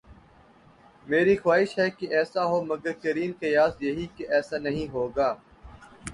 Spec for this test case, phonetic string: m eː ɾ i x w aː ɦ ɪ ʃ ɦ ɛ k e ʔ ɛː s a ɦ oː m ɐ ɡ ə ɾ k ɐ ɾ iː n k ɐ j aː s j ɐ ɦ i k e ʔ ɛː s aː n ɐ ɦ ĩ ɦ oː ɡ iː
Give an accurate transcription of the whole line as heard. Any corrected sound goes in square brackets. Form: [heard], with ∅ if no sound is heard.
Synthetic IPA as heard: m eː ɾ i x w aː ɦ ɪ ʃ ɦ ɛ k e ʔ ɛː s a ɦ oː m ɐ ɡ ə ɾ k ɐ ɾ iː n k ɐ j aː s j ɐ ɦ i k e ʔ ɛː s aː n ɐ ɦ ĩ ɦ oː ɡ [aː]

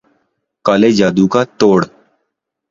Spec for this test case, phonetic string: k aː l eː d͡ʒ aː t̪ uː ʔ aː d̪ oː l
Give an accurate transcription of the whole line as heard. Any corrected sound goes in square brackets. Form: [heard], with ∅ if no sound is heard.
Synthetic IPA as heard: k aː l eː d͡ʒ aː [d̪] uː [k] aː [t̪] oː [ɽ]

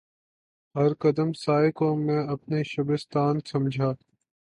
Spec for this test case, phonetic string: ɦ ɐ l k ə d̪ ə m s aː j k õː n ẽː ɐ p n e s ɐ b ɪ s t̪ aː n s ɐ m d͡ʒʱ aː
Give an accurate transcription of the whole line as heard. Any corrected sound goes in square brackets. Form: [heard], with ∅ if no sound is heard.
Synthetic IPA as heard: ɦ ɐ [ɾ] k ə d̪ ə m s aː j k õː [m] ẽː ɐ p n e [ʃ] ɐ b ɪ s t̪ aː n s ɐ m d͡ʒʱ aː

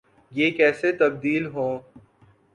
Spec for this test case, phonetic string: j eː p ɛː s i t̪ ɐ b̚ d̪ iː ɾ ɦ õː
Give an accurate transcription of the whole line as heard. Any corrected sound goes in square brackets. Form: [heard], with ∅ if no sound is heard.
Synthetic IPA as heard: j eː [k] ɛː s [e] t̪ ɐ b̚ d̪ iː [l] ɦ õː

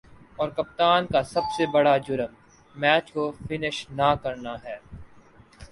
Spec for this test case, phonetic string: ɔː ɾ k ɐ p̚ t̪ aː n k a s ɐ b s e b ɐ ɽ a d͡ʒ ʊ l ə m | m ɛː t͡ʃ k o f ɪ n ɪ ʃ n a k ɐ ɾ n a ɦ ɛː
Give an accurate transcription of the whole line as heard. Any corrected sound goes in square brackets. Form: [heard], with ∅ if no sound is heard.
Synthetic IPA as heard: ɔː ɾ k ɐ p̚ t̪ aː n k a s ɐ b s e b ɐ ɽ a d͡ʒ ʊ [ɾ] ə m | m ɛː t͡ʃ k o f ɪ n ɪ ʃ n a k ɐ ɾ n a ɦ ɛː

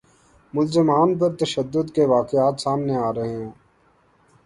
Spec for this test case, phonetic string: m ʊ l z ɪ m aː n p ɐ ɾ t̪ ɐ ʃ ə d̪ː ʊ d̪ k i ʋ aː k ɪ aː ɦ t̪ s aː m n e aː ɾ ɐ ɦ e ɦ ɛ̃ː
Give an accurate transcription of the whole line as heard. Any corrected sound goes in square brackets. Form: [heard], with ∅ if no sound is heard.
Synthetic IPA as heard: m ʊ l z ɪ m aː n p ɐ ɾ t̪ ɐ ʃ ə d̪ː ʊ d̪ k [e] ʋ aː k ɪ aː [∅] t̪ s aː m n e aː ɾ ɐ ɦ e ɦ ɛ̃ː

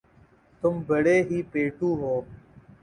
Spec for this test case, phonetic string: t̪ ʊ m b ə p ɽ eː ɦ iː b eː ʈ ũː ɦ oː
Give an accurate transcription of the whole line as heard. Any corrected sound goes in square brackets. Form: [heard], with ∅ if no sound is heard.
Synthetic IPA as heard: t̪ ʊ m b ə [∅] ɽ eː ɦ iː [p] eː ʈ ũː ɦ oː

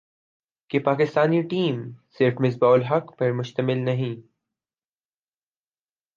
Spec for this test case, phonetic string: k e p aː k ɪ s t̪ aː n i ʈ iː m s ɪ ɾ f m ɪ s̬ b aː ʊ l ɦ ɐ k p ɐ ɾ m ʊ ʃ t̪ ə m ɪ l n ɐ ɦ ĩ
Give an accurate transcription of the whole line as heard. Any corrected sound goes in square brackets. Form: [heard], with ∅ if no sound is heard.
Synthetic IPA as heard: k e p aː k ɪ s t̪ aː n i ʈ iː m s ɪ ɾ f m ɪ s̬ b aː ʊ l ɦ ɐ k p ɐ ɾ m ʊ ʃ t̪ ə m ɪ l n ɐ ɦ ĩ

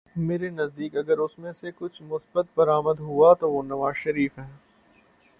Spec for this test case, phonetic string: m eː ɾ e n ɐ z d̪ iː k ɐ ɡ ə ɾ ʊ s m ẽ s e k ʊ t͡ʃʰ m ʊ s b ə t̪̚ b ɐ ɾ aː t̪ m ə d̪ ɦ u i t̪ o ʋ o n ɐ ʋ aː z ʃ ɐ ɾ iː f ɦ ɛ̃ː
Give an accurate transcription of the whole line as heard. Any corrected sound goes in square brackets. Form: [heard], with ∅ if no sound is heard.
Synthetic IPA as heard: m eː ɾ e n ɐ z d̪ iː k ɐ ɡ ə ɾ ʊ s m ẽ s e k ʊ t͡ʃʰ m ʊ s b ə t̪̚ b ɐ ɾ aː [∅] m ə d̪ ɦ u [a] t̪ o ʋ o n ɐ ʋ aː z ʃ ɐ ɾ iː f ɦ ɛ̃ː

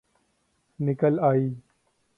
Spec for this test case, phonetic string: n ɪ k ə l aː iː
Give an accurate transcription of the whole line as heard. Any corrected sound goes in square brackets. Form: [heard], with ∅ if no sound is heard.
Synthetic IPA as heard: n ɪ k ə l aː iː

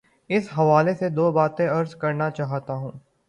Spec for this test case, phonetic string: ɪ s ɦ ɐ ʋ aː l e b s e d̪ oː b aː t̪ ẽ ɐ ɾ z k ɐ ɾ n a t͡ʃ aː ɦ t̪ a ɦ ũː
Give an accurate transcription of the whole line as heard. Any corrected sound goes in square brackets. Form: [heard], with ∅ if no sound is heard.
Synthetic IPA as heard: ɪ s ɦ ɐ ʋ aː l e [∅] s e d̪ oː b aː t̪ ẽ ɐ ɾ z k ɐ ɾ n a t͡ʃ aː ɦ t̪ a ɦ ũː

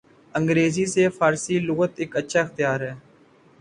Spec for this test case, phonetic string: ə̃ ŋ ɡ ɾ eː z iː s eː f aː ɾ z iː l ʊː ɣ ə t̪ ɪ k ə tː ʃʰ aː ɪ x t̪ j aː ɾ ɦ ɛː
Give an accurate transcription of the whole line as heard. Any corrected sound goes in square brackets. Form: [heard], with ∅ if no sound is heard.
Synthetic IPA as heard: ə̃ ŋ ɡ ɾ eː z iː s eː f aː ɾ [s] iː l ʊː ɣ ə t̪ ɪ k ə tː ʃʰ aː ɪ x t̪ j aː ɾ ɦ ɛː

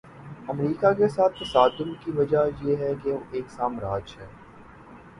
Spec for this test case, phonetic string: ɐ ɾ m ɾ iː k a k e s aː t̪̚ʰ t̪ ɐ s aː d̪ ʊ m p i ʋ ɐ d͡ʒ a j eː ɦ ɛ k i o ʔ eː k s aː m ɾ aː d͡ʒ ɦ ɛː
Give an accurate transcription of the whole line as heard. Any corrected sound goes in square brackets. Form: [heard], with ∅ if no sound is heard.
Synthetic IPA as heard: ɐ [∅] m ɾ iː k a k e s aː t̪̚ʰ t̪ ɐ s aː d̪ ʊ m [k] i ʋ ɐ d͡ʒ a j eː ɦ ɛ k [e] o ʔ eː k s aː m ɾ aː d͡ʒ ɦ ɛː

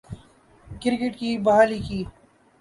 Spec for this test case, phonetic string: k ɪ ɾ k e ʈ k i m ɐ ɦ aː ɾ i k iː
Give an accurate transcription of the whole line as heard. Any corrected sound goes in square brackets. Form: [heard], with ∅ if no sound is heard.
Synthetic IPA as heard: k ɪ ɾ k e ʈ k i [b] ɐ ɦ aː [l] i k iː

